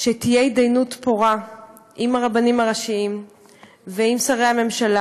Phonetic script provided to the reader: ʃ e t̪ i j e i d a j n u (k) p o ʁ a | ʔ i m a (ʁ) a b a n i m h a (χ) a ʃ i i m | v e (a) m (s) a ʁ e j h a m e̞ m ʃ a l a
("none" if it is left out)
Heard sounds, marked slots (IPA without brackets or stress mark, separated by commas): t, ʁ, ʁ, i, s